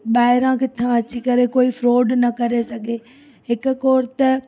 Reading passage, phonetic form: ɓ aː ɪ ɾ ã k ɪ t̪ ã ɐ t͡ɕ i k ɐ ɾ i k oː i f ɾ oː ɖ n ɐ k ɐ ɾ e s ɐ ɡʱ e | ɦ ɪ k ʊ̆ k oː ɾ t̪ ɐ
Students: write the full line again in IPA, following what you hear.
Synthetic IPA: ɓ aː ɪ ɾ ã k ɪ t̪ʰ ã ɐ t͡ɕ i k ɐ ɾ e k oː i f ɾ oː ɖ n ɐ k ɐ ɾ e s ɐ ɡʱ e | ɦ ɪ k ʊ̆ k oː ɾ t̪ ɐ